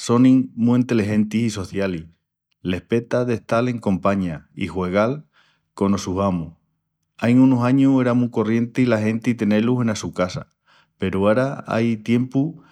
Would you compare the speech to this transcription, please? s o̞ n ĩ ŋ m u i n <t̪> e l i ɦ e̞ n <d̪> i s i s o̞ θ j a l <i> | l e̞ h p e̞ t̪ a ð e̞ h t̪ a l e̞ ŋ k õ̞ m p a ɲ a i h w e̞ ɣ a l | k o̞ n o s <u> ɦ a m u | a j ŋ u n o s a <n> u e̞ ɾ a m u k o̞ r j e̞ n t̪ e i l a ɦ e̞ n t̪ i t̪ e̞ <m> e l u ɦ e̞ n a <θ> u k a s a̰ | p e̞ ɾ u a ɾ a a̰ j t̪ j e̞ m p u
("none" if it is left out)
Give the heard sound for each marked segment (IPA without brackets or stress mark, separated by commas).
t̪, t̪, i, u, ɲ, n, s